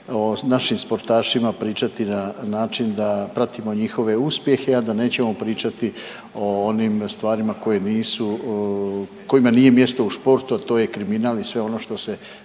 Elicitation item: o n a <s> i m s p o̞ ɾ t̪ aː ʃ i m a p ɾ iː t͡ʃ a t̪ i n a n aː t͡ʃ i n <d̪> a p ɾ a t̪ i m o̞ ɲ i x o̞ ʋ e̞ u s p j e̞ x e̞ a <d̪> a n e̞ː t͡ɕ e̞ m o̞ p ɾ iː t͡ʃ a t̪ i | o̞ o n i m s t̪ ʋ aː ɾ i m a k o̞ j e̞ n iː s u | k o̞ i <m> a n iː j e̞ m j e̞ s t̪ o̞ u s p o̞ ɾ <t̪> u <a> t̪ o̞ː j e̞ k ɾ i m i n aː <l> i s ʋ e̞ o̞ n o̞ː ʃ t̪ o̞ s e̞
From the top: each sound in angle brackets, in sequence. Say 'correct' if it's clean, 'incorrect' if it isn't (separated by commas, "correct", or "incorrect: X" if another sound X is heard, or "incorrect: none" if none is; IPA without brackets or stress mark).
incorrect: ʃ, correct, correct, correct, correct, correct, correct